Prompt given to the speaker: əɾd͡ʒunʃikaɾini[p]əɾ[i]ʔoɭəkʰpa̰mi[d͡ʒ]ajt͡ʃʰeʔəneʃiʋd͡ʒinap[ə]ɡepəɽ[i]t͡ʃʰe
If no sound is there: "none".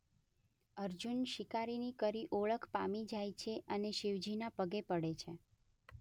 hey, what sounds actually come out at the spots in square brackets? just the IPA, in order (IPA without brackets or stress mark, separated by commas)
k, i, d͡ʒ, ə, e